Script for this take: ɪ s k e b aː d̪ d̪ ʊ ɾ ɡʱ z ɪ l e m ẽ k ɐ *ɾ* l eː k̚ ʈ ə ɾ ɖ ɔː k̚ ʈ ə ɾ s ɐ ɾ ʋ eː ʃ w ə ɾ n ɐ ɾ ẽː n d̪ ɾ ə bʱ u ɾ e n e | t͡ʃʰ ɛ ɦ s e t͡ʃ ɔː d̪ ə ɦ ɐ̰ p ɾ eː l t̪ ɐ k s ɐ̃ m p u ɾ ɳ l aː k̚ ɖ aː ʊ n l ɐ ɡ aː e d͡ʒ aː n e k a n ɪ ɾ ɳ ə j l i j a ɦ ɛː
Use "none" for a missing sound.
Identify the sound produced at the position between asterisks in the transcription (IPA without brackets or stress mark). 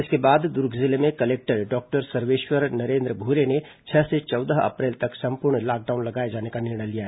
none